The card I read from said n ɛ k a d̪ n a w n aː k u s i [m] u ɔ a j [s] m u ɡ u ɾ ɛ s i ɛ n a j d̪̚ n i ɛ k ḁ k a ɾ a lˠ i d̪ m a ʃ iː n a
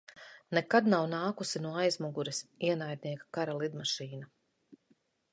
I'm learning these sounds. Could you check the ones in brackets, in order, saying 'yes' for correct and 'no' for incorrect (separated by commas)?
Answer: no, no